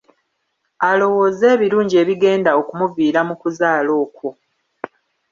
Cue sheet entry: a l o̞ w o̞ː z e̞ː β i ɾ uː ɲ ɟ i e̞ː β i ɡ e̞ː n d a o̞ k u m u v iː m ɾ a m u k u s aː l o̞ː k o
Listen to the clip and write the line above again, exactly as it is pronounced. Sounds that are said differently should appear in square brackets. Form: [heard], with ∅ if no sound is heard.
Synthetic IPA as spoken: a l o̞ w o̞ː z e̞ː β i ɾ uː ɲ ɟ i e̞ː β i ɡ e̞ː n d a o̞ k u m u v iː [∅] ɾ a m u k u [z] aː l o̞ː k o